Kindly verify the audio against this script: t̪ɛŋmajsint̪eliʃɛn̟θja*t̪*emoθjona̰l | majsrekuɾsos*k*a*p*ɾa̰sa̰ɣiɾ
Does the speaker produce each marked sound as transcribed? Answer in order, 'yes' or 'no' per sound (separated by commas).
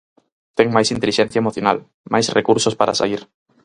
no, no, no